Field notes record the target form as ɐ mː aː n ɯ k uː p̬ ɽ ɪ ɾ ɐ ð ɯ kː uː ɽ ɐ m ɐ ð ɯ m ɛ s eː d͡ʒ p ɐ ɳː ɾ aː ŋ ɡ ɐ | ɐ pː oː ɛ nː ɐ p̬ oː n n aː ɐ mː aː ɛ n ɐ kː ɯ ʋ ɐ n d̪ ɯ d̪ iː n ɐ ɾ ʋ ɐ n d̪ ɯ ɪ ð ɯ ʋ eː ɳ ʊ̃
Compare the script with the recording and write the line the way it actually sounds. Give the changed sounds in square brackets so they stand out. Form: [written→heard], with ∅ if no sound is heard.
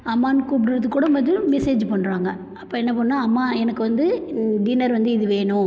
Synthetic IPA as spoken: ɐ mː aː n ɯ k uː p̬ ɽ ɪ ɾ ɐ ð ɯ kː uː ɽ ɐ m ɐ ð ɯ m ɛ s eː d͡ʒ p ɐ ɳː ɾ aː ŋ ɡ ɐ | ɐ pː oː ɛ nː ɐ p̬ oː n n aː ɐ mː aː ɛ n ɐ kː ɯ ʋ ɐ n d̪ ɯ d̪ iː n ɐ ɾ ʋ ɐ n d̪ ɯ ɪ ð ɯ ʋ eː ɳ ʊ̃